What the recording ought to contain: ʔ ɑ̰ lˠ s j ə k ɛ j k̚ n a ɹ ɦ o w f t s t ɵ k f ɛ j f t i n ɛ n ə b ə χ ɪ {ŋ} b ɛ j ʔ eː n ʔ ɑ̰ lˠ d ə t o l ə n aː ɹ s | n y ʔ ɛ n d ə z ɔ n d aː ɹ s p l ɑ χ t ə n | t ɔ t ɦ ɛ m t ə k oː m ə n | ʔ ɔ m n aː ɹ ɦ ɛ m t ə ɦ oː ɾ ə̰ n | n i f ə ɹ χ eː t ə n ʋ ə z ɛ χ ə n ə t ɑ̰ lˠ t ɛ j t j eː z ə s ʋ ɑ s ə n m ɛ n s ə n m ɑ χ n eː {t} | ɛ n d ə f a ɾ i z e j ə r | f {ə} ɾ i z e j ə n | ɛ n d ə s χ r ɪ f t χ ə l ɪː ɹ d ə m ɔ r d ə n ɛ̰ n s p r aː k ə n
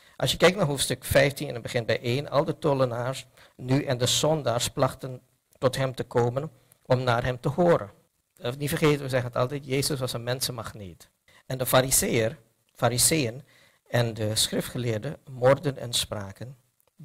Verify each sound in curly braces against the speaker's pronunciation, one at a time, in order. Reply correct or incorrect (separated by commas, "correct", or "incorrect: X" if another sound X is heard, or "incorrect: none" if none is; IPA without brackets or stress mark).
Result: incorrect: n, correct, incorrect: a